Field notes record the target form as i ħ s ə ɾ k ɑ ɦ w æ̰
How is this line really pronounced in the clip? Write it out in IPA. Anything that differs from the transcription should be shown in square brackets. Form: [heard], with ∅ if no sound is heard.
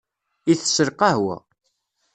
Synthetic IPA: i [θ] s ə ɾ [q] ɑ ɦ w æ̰